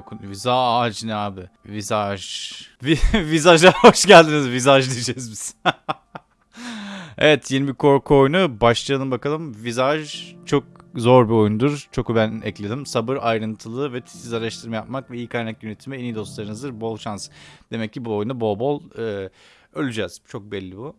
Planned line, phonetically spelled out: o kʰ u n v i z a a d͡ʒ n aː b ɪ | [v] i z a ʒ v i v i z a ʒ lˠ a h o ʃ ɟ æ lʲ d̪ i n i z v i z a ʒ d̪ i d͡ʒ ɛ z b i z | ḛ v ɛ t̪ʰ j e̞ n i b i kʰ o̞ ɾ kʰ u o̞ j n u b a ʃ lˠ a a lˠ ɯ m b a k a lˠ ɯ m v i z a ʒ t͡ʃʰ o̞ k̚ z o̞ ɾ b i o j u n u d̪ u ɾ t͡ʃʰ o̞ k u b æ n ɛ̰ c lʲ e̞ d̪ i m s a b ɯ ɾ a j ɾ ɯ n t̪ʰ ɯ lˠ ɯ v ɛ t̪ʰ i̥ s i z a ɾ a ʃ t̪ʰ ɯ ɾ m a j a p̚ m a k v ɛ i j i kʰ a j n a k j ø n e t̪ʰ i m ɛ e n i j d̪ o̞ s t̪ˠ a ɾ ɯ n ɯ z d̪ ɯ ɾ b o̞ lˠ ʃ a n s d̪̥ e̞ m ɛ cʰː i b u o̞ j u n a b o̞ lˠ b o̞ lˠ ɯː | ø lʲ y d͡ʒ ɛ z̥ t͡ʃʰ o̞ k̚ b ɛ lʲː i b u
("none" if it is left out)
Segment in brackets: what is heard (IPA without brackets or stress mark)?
v